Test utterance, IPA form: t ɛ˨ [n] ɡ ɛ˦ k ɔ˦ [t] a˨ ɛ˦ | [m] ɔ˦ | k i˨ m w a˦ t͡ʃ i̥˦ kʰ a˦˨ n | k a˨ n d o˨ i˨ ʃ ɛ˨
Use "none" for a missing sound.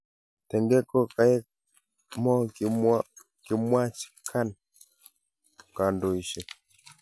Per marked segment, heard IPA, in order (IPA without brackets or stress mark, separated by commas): ŋ, k, m